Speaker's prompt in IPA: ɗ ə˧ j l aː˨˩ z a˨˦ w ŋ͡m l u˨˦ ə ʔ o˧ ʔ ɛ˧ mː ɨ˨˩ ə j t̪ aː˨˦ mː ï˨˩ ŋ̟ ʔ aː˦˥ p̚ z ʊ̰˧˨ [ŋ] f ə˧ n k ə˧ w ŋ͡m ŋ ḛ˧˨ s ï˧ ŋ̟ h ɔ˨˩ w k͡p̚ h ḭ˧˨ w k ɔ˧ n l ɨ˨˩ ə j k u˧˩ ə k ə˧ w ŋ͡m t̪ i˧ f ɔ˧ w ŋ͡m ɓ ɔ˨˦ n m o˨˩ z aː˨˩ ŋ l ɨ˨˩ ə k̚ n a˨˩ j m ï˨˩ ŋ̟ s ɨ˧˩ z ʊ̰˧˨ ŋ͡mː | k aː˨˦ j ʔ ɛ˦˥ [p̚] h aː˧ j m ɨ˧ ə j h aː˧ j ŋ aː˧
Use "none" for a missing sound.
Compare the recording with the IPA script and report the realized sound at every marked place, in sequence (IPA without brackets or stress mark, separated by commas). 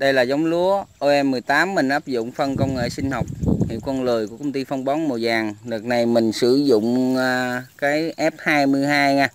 ŋ͡m, p̚